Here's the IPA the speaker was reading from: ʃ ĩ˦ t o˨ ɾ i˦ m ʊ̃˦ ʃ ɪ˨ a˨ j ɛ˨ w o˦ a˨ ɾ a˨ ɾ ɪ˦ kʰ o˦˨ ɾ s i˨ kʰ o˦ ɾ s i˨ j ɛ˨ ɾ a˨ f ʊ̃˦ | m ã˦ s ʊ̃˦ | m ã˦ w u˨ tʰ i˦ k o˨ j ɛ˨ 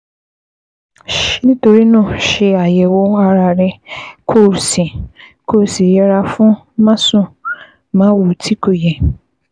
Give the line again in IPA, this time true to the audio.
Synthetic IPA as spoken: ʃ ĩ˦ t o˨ ɾ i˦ n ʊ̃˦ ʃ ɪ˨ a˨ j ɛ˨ w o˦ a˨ ɾ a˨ ɾ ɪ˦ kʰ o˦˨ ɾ s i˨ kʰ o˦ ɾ s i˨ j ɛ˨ ɾ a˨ f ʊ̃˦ | m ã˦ s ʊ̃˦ | m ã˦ w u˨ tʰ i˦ k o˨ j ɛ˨